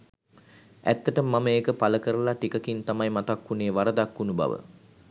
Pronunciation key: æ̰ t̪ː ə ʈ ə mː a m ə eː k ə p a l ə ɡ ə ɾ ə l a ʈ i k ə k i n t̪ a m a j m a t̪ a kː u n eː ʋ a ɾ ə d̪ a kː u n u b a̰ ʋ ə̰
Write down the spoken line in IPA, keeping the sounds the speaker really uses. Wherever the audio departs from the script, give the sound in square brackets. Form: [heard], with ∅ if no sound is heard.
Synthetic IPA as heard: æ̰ t̪ː ə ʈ ə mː a m ə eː k ə p a l ə [k] ə ɾ ə l a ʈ i k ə k i n t̪ a m a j m a t̪ a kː u n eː ʋ a ɾ ə d̪ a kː u n u b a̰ ʋ ə̰